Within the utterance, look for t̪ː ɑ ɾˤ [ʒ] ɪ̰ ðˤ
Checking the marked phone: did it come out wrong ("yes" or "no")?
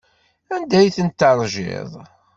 no